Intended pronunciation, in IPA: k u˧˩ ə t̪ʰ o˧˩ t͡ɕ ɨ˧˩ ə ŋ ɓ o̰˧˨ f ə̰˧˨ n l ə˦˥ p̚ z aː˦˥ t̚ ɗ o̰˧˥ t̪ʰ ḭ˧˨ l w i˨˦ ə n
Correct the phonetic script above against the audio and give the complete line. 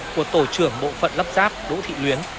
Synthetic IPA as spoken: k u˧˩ ə t̪ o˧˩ t͡ɕ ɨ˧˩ ə ŋ ɓ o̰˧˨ f ə̰˧˨ n l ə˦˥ p̚ z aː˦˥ p̚ ɗ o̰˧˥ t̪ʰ ḭ˧˨ l w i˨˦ ə n

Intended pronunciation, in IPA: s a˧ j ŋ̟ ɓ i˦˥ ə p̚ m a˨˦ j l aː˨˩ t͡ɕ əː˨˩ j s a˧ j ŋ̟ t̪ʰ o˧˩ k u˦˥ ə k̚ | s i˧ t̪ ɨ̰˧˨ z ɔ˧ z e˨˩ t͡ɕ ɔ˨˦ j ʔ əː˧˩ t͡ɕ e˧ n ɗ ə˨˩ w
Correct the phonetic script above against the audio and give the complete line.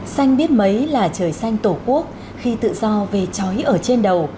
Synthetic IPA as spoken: s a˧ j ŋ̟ ɓ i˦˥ ə t̚ m ə˨˦ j l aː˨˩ t͡ɕ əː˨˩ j s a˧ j ŋ̟ t̪ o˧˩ k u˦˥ ə k̚ | x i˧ t̪ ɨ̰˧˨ z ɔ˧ v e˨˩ t͡ɕ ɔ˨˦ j ʔ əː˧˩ t͡ɕ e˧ n ɗ ə˨˩ w

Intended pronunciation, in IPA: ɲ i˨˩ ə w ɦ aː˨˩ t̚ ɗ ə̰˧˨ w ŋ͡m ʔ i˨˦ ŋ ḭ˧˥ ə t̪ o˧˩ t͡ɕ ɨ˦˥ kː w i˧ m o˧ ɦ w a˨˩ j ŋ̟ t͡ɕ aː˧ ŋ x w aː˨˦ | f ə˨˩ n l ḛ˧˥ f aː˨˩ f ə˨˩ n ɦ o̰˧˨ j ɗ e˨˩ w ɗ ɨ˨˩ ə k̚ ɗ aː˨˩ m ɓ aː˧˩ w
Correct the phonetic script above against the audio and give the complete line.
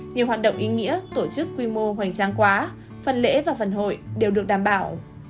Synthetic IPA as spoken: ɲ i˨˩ ə w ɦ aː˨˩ t̚ ɗ ə̰˧˨ w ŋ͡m ʔ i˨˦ ŋ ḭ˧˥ ə t̪ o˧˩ t͡ɕ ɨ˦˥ kː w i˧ m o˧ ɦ w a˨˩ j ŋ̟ t͡ɕ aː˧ ŋ k w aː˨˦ | f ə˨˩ n l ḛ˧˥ v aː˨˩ f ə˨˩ n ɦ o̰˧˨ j ɗ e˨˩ w ɗ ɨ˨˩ ə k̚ ɗ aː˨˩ m ɓ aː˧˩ w

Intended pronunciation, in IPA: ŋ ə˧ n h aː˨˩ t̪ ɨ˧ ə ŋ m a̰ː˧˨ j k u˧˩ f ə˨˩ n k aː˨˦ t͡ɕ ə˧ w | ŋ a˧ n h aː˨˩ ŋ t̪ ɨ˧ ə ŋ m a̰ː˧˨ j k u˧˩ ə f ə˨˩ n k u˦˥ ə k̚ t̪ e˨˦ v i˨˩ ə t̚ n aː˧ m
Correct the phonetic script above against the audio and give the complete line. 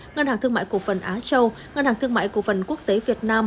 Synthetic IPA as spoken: ŋ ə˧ n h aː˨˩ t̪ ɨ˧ ə ŋ m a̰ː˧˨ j k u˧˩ f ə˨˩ n ʔ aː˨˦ t͡ɕ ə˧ w | ŋ ə˧ n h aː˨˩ ŋ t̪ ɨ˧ ə ŋ m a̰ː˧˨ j k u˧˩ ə f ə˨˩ n k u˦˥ ə k̚ t̪ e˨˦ v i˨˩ ə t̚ n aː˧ m

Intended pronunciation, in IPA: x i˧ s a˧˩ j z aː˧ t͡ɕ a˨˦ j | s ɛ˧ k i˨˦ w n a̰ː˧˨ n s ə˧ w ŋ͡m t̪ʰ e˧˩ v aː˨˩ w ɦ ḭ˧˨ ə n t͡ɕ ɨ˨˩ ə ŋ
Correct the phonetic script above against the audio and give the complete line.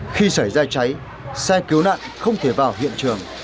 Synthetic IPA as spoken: x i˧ s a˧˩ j z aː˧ t͡ɕ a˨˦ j | s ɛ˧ k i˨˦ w n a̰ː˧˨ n x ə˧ w ŋ͡m t̪ʰ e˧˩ v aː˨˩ w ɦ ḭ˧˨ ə n t͡ɕ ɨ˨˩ ə ŋ

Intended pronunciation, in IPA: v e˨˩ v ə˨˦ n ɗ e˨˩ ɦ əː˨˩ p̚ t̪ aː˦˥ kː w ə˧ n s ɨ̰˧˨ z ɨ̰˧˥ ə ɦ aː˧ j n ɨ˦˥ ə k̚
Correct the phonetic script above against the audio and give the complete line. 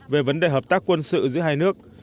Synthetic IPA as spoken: v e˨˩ v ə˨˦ n ɗ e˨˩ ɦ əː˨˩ p̚ t̪ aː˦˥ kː w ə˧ n s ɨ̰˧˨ z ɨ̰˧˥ ə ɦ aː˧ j n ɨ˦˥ ə k̚

